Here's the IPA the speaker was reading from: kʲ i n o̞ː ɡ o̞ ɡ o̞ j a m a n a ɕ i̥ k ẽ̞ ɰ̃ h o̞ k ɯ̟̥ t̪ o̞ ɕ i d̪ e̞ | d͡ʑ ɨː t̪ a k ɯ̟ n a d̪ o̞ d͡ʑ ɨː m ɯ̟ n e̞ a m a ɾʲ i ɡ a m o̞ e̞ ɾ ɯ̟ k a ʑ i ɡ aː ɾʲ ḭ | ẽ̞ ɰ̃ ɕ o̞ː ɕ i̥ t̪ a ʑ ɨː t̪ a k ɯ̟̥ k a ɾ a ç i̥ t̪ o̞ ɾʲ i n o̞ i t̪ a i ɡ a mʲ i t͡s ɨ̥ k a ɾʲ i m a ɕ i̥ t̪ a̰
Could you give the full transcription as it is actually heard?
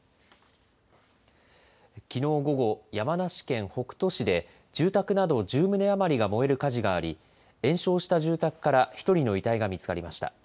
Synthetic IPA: kʲ i n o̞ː ɡ o̞ ɡ o̞ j a m a n a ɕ i̥ k ẽ̞ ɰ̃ h o̞ k ɯ̟̥ t̪ o̞ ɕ i d̪ e̞ | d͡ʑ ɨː t̪ a k ɯ̟ n a d̪ o̞ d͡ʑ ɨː m ɯ̟ n e̞ a m a ɾʲ i ɡ a m o̞ e̞ ɾ ɯ̟ k a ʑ i ɡ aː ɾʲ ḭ | ẽ̞ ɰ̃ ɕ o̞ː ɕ i̥ t̪ a ʑ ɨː t̪ a k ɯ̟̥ k a ɾ a ç i̥ t̪ o̞ ɾʲ i n o̞ i t̪ a i ɡ a mʲ i t͡s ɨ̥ k a ɾʲ i m a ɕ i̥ t̪ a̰